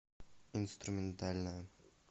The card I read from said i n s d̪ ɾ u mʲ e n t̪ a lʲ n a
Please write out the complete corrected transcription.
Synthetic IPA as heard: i n s t̪ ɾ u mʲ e n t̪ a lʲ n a